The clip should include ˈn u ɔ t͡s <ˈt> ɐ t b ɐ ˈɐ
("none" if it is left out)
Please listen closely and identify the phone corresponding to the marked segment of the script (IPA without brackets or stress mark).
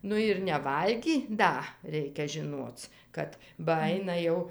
k